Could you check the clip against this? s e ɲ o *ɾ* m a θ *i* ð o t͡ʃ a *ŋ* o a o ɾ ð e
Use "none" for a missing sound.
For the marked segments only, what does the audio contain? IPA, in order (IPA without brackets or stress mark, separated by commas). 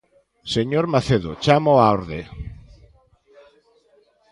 ɾ, e, m